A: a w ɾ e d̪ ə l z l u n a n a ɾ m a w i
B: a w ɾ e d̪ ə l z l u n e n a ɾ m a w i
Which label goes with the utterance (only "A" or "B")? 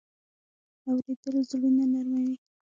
A